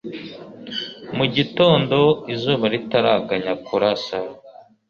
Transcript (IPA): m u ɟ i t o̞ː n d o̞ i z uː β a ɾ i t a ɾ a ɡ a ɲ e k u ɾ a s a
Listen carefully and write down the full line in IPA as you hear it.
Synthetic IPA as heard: m u ɟ i t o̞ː n d o̞ i z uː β a ɾ i t a ɾ a ɡ a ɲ a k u ɾ a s a